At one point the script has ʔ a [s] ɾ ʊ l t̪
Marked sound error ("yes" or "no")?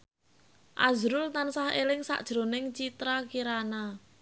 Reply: yes